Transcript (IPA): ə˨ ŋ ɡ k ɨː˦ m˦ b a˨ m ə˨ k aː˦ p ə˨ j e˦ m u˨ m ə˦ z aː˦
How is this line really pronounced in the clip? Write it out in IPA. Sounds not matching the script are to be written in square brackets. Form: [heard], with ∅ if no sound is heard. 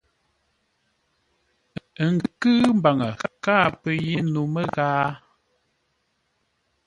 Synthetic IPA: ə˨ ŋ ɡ k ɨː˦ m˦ b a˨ [ŋ] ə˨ k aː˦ p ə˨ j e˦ [n] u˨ m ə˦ [ɣ] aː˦